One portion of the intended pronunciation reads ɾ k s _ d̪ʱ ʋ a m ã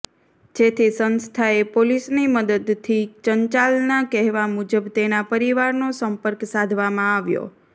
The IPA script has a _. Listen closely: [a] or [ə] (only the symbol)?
a